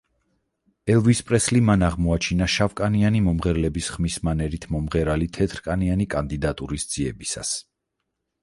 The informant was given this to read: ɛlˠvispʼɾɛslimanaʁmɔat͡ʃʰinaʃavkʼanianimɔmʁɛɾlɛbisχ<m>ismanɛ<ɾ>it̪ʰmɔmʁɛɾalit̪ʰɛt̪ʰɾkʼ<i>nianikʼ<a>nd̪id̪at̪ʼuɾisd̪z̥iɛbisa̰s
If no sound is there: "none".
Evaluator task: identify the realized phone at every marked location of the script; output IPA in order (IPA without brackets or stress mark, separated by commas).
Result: m, ɾ, a, a